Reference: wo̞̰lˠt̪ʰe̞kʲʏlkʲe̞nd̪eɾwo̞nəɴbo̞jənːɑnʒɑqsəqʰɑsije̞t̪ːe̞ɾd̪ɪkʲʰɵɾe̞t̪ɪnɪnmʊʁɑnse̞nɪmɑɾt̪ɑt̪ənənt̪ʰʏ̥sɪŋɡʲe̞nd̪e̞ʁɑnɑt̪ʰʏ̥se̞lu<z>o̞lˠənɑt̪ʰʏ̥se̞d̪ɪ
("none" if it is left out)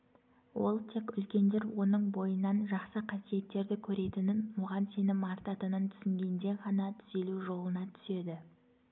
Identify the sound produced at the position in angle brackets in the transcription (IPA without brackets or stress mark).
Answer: ʒ